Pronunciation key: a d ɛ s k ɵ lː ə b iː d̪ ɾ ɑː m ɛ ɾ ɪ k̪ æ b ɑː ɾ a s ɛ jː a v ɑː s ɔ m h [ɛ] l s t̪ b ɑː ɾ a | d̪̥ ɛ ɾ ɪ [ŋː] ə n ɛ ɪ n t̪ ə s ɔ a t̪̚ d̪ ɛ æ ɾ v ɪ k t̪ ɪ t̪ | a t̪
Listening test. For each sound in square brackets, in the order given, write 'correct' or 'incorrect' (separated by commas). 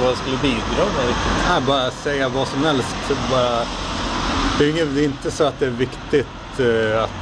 correct, correct